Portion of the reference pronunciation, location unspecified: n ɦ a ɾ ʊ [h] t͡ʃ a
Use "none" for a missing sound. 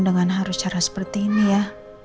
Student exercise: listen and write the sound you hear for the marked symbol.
s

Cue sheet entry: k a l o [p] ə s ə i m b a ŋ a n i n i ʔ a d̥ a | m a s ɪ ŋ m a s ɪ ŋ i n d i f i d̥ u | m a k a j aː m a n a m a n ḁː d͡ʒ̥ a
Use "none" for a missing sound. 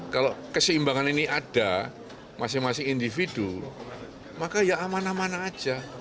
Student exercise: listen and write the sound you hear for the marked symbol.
k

